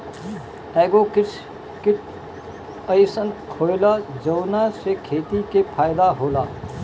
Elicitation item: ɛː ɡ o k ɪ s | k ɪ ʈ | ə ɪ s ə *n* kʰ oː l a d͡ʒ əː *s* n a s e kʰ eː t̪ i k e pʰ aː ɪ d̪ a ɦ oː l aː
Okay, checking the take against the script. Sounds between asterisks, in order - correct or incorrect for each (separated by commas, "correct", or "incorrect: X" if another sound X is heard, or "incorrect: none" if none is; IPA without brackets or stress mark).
correct, incorrect: none